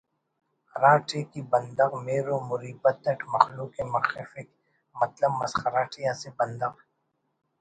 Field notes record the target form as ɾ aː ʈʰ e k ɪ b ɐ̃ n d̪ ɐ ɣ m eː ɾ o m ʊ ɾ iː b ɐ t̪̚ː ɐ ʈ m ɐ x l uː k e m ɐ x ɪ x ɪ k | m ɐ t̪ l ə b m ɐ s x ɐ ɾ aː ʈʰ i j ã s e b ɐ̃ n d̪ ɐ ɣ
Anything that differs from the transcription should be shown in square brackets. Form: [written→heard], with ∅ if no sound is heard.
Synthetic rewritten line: ɾ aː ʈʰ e k [ɪ→i] b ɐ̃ n d̪ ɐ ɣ m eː ɾ o m ʊ ɾ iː b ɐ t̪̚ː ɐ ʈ m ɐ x l uː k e m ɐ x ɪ [x→f] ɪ k | m ɐ t̪ l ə b m ɐ s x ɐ ɾ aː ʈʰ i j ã s e b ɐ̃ n d̪ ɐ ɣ

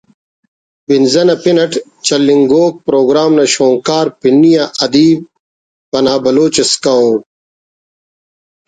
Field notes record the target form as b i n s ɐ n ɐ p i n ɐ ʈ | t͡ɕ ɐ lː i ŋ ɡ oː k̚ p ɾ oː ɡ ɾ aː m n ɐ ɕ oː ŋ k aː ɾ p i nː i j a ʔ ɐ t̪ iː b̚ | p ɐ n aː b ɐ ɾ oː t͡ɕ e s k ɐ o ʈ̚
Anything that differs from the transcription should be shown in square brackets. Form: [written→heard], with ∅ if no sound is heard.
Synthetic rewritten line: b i n [s→z] ɐ n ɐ p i n ɐ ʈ | t͡ɕ ɐ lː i ŋ ɡ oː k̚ p ɾ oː ɡ ɾ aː m n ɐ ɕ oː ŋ k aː ɾ p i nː i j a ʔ ɐ [t̪→d̪] iː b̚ | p ɐ n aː b ɐ [ɾ→l] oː t͡ɕ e s k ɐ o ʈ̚

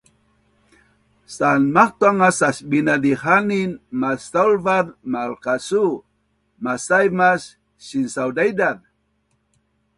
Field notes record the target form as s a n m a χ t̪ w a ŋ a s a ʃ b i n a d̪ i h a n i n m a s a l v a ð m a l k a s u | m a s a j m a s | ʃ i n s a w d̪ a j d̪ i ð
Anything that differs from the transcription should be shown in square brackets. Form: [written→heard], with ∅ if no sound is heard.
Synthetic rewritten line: s a n m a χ t̪ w a ŋ a s a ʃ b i n a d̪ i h a n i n m a s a l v a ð m a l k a s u | m a s a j m a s | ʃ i n s a w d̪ a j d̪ [i→a] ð

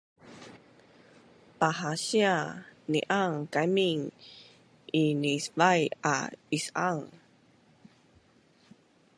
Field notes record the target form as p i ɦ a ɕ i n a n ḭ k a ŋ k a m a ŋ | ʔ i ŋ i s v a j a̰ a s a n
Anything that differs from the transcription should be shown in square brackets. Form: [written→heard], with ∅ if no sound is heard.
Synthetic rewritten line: p [i→a] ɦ a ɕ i [n→∅] a n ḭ [k→ʔ] a ŋ k a m [a→i] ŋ | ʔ i [ŋ→n] i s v a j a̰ [a→i] s a [n→ŋ]

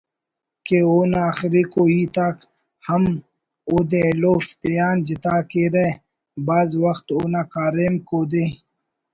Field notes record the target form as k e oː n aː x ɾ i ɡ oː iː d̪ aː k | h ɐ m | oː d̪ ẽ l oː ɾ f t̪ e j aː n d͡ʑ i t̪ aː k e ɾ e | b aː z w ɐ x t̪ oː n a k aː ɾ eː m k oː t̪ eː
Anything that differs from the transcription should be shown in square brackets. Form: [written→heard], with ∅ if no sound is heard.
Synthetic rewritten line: k e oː n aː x ɾ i [ɡ→k] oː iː [d̪→t̪] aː k | h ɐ m | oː d̪ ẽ l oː [ɾ→∅] f t̪ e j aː n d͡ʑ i t̪ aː k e ɾ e | b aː z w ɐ x t̪ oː n a k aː ɾ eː m k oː [t̪→d̪] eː

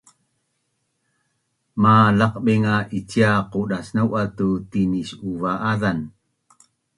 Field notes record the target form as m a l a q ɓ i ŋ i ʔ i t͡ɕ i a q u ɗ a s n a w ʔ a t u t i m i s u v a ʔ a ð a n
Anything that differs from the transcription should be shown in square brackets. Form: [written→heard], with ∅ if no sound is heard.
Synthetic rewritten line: m a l a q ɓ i ŋ [i→a] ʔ i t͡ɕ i a q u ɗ a s n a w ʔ a t u t i [m→n] i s u v a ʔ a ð a n

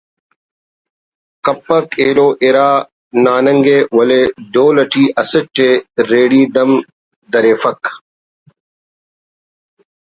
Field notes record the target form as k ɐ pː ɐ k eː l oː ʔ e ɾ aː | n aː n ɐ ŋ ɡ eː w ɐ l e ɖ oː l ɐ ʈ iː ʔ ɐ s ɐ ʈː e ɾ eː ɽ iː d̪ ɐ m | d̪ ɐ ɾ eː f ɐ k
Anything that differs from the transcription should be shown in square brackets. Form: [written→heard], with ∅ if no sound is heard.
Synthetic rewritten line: k ɐ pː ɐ k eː l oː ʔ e ɾ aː | n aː n ɐ ŋ ɡ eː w ɐ l e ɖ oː l ɐ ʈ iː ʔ ɐ s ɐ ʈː e ɾ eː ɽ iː d̪ ɐ m | d̪ ɐ ɾ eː f ɐ k

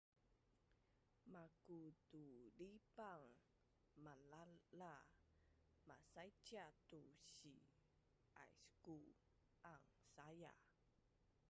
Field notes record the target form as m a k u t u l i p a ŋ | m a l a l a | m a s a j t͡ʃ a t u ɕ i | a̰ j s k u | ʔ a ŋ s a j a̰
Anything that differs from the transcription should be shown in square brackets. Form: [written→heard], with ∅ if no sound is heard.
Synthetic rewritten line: m a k u t u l i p a ŋ | m a l a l a | m a s a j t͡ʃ a t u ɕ i | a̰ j s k u | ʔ a ŋ s a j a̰

